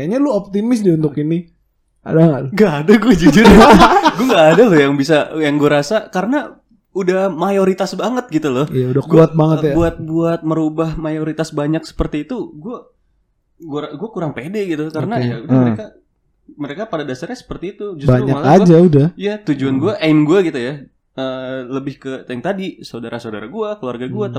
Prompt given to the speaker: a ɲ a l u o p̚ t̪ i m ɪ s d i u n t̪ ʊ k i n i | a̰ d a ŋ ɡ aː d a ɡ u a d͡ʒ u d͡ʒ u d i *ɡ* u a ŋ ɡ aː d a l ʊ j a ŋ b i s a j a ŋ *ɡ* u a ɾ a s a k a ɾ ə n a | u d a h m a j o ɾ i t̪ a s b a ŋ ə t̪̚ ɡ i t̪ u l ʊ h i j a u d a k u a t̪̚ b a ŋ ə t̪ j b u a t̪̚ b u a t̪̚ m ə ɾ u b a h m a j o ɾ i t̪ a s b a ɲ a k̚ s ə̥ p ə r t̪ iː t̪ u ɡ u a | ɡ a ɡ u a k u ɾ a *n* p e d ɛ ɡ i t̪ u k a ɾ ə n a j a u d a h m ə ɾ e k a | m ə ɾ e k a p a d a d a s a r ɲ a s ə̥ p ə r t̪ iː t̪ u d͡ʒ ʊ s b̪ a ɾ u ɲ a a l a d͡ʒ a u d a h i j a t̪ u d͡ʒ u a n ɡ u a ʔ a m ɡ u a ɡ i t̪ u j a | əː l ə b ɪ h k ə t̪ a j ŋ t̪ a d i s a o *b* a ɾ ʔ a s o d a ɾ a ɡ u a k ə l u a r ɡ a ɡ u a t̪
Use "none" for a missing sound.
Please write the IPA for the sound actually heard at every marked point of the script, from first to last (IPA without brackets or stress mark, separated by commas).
ɡ, ɡ, ŋ, d